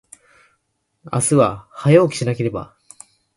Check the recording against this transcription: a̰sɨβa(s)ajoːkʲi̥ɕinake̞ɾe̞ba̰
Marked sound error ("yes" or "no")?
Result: yes